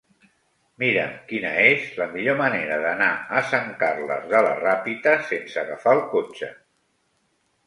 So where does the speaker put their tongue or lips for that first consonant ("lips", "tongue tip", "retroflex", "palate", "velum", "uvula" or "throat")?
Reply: lips